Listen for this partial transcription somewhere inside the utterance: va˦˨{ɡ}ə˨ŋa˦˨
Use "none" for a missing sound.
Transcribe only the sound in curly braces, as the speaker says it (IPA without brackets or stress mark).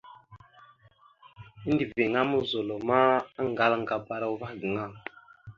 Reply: ɡ